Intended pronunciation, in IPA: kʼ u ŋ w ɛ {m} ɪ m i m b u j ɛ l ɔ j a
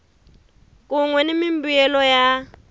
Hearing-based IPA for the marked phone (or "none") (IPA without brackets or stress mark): n